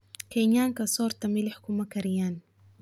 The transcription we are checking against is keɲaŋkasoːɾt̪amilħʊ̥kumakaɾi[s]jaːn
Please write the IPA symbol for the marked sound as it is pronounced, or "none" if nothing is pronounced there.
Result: none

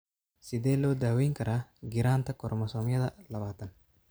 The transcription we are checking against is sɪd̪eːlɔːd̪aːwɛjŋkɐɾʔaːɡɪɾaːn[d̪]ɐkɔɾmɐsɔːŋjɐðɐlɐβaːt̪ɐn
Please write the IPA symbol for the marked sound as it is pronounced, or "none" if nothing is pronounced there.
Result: t̪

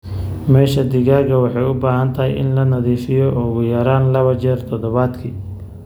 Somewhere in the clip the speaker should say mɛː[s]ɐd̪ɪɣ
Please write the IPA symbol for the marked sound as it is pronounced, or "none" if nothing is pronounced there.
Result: ʃ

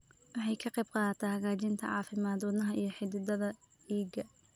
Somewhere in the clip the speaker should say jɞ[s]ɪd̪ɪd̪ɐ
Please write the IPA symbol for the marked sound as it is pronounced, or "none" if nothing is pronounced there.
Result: ħ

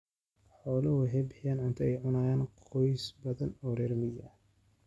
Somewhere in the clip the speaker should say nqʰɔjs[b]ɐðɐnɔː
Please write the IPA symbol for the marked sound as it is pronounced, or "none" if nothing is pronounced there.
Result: b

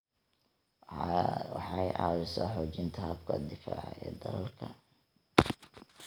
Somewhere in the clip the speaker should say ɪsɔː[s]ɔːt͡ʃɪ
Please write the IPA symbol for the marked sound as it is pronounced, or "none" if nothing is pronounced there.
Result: ħ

